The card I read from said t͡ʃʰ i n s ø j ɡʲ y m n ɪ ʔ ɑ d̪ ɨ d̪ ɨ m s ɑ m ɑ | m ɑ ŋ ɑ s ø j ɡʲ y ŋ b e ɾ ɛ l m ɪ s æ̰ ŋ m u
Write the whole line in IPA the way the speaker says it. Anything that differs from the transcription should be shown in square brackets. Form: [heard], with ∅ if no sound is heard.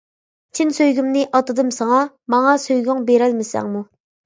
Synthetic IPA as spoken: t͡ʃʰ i n s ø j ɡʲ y m n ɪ ʔ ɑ [t̪] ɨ d̪ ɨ m s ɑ [ŋ] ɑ | m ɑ ŋ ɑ s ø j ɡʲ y ŋ b e ɾ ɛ l m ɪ s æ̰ ŋ m u